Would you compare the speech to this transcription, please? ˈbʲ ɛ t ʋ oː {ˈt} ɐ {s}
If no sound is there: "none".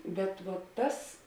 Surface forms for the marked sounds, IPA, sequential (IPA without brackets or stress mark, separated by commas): t, s